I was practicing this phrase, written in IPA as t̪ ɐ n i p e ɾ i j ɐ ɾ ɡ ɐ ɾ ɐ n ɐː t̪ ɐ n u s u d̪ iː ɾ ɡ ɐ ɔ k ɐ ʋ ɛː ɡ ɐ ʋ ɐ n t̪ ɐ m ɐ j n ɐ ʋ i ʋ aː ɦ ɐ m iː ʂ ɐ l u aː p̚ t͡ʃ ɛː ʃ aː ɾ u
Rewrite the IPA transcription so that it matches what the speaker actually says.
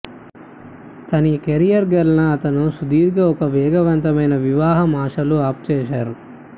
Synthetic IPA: t̪ ɐ n i k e ɾ i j ɐ ɾ ɡ ɐ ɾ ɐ n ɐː t̪ ɐ n u s u d̪ iː ɾ ɡ ɐ ɔ k ɐ ʋ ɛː ɡ ɐ ʋ ɐ n t̪ ɐ m ɐ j n ɐ ʋ i ʋ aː ɦ ɐ m aː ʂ ɐ l u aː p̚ t͡ʃ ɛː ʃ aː ɾ u